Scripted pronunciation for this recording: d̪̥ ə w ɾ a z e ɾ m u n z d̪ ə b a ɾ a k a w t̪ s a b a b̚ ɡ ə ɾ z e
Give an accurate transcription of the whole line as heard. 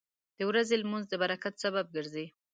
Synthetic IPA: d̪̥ ə w ɾ a z e l m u n z d̪ ə b a ɾ a k a t̪ s a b a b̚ ɡ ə ɾ z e